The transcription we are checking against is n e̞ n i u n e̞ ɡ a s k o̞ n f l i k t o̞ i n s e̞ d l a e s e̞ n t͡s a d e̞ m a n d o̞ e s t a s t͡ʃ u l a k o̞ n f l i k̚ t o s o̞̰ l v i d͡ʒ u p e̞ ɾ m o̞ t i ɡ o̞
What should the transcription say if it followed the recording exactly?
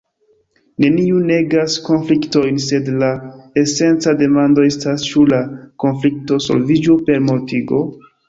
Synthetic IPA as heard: n e̞ n i u n e̞ ɡ a s k o̞ n f l i k t o̞ j n s e̞ d l a e s e̞ n t͡s a d e̞ m a n d o̞ e s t a s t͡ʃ u l a k o̞ n f l i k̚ t o s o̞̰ l v i d͡ʒ u p e̞ ɾ m o̞ t i ɡ o̞